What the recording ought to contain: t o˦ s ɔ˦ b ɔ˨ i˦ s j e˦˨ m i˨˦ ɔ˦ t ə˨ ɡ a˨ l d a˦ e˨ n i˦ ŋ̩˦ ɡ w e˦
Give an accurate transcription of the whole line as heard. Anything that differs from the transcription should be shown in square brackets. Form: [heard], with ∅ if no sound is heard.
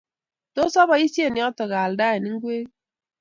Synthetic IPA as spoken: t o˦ s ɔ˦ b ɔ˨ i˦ s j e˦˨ [n] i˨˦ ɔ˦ t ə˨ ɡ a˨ l d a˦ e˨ n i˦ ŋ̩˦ ɡ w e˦